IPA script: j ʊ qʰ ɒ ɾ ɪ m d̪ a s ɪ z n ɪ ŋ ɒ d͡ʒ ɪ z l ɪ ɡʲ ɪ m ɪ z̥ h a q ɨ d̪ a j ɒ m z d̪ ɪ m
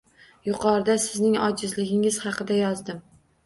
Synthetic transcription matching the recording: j ʊ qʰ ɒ ɾ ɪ d̪ a s ɪ z n ɪ ŋ ɒ d͡ʒ ɪ z l ɪ ɡʲ ɪ ŋ ɪ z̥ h ɑ q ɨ d̪ a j ɒ z d̪ ɪ m